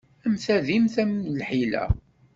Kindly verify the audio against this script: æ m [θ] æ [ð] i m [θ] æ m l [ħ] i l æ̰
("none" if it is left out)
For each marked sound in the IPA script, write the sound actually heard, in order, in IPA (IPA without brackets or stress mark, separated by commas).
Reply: θ, ð, θ, ħ